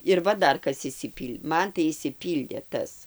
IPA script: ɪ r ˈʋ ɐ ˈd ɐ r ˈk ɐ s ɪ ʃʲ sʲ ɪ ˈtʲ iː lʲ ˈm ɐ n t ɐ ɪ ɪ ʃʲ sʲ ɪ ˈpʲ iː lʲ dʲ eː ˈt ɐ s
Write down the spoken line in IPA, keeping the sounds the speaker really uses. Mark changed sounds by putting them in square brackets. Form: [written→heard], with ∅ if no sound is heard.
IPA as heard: ɪ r ˈʋ ɐ ˈd ɐ r ˈk ɐ s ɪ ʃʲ sʲ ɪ [ˈtʲ→ˈpʲ] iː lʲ ˈm ɐ n t ɐ ɪ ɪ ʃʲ sʲ ɪ ˈpʲ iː lʲ dʲ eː ˈt ɐ s